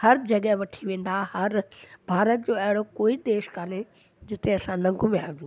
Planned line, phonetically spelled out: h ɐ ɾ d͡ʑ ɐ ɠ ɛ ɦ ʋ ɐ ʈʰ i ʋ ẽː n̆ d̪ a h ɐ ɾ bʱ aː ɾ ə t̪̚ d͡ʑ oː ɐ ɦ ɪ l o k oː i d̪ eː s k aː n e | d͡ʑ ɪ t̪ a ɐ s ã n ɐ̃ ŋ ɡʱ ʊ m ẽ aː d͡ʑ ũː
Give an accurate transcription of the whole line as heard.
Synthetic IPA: h ɐ ɾ d͡ʑ ɐ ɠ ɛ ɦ ʋ ɐ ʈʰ i ʋ ẽː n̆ d̪ a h ɐ ɾ bʱ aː ɾ ə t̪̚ d͡ʑ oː ɐ ɦ ɪ ɽ o k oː i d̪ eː ʃ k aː n e | d͡ʑ ɪ t̪ e ɐ s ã n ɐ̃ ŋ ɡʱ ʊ m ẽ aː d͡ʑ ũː